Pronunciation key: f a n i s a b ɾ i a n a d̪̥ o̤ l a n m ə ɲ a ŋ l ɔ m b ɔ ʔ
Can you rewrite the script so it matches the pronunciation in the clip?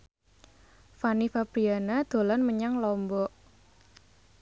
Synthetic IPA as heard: f a n i f a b ɾ i a n a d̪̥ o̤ l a n m ə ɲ a ŋ l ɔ m b ɔ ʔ

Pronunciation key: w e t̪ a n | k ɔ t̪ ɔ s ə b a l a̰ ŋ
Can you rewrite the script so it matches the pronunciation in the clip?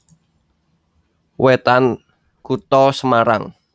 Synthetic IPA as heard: w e t̪ a n | k u t̪ ɔ s ə m a ɾ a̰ ŋ

